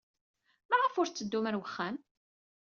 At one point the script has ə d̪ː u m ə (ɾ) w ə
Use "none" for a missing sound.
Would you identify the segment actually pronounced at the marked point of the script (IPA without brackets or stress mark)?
ɾ